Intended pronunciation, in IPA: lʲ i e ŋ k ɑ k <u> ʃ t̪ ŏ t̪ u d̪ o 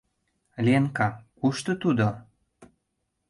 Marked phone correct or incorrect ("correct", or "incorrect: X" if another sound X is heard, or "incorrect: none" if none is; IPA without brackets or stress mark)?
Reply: correct